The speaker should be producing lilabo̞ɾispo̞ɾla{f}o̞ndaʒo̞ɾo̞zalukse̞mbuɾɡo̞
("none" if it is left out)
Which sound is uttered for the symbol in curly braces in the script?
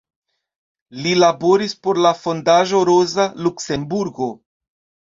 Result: f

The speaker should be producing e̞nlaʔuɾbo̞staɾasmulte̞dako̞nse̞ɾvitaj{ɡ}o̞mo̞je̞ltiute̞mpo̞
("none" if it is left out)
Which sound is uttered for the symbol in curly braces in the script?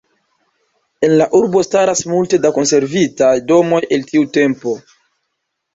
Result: d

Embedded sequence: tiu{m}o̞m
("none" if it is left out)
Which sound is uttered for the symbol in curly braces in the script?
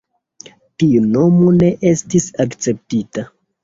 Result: n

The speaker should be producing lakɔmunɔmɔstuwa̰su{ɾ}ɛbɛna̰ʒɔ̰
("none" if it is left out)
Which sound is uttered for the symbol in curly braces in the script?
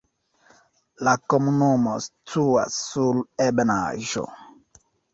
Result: l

